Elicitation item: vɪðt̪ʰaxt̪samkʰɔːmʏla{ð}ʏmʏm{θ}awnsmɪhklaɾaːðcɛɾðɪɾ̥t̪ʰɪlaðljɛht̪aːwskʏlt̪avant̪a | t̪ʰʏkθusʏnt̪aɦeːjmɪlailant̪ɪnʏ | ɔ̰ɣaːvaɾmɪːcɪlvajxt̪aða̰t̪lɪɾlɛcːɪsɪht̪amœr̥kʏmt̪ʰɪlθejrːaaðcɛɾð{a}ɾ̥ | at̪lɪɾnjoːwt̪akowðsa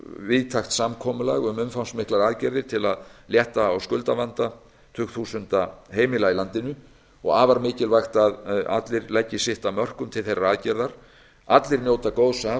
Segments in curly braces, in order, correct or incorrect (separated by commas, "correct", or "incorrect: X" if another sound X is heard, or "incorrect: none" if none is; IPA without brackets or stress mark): incorrect: ɣ, incorrect: f, correct